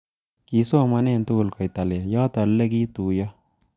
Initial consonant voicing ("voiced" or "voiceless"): voiceless